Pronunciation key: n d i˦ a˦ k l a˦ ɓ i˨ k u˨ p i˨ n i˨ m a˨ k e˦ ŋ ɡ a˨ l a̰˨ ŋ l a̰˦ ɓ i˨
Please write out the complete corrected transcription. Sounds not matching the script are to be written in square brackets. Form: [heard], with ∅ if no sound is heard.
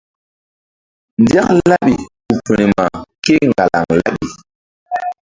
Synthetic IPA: n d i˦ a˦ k l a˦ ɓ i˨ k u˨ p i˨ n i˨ m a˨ k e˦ ŋ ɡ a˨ l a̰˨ ŋ l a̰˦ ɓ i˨